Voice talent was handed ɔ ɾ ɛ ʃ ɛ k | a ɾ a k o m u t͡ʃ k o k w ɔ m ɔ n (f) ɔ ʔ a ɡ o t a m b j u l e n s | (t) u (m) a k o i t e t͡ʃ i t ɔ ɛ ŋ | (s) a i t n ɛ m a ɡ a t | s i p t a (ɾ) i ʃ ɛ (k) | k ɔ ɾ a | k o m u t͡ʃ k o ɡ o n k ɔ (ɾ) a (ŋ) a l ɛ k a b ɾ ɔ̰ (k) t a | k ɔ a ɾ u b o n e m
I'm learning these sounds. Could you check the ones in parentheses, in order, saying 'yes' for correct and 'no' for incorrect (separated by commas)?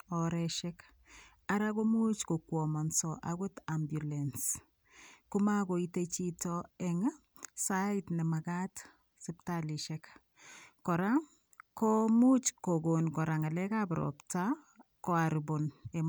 no, no, yes, yes, no, yes, yes, yes, no